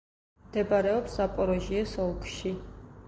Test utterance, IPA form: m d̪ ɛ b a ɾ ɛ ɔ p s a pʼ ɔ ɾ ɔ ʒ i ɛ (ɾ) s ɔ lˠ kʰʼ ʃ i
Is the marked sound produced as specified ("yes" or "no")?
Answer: no